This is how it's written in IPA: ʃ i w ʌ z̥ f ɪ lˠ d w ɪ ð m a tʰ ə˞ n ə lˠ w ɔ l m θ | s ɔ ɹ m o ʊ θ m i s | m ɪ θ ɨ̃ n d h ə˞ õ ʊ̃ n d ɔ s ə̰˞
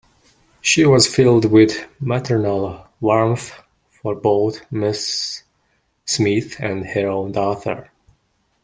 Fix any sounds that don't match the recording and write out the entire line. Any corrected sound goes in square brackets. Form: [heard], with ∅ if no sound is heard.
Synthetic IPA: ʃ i w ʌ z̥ f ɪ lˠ d w ɪ ð m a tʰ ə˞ n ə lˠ w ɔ [ɹ] m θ | [f] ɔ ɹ [b] o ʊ θ m [ɪ] s | m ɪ θ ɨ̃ n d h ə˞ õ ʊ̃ n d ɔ [θ] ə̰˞